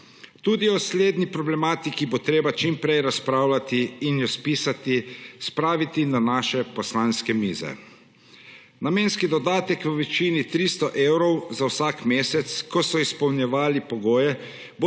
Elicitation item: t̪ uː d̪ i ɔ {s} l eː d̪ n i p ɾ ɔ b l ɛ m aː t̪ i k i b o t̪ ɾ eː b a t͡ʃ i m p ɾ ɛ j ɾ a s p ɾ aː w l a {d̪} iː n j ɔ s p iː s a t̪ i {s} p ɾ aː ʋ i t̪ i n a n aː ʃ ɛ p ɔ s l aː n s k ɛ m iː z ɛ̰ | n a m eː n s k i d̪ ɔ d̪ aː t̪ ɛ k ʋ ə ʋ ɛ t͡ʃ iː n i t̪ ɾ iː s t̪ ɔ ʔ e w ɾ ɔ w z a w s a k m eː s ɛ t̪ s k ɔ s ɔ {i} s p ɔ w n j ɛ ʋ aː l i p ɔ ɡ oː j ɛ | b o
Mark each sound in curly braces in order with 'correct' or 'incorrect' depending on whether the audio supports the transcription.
correct, incorrect: t̪, correct, correct

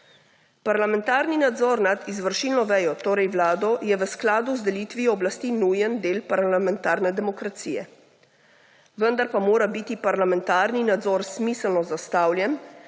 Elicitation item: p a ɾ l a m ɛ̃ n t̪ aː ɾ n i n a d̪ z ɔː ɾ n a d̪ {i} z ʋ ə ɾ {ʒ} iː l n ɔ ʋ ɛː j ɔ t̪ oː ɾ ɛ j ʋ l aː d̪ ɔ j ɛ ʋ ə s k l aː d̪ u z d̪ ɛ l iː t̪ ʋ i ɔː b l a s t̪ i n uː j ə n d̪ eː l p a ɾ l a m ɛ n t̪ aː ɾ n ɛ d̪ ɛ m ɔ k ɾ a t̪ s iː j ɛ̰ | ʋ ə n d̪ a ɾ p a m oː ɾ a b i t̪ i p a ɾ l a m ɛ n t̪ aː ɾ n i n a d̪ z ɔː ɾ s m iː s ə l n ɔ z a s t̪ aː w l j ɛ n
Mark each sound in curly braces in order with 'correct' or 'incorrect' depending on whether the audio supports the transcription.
correct, incorrect: ʃ

